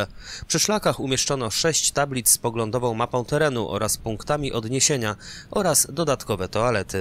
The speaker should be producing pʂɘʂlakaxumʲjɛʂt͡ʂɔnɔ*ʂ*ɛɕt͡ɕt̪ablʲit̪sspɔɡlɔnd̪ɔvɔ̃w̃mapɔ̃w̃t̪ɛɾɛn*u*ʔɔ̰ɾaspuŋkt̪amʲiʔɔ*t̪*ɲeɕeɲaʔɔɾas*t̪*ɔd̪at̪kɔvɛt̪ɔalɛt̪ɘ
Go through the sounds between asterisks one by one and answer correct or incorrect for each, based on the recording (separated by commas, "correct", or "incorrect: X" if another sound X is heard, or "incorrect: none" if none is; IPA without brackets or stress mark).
correct, correct, incorrect: d̪, incorrect: d̪